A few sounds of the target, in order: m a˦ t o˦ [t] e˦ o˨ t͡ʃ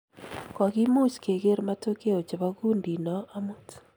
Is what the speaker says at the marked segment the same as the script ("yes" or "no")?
no